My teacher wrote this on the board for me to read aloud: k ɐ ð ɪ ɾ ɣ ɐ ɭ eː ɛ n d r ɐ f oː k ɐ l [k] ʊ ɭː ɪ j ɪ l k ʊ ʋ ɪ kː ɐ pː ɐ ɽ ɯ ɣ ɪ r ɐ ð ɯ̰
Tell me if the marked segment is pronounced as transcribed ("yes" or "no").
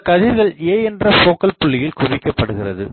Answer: no